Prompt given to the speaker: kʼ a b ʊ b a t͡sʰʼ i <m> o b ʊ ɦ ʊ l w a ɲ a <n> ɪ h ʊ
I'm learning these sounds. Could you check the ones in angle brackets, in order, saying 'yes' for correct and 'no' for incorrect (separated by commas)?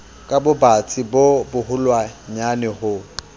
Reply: no, yes